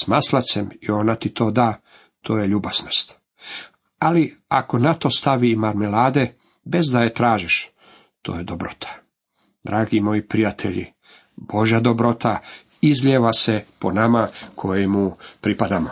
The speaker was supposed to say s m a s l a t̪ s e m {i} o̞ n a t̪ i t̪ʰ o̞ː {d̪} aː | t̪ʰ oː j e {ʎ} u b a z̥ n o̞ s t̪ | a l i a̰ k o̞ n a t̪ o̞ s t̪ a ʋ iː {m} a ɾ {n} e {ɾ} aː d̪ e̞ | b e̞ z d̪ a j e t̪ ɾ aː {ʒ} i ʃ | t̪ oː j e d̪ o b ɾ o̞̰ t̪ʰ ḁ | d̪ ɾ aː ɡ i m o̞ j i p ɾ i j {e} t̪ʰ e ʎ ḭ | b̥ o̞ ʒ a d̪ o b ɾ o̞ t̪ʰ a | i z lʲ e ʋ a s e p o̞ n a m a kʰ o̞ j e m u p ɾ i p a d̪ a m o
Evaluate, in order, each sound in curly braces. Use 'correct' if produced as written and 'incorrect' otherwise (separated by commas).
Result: correct, correct, correct, correct, incorrect, incorrect, correct, incorrect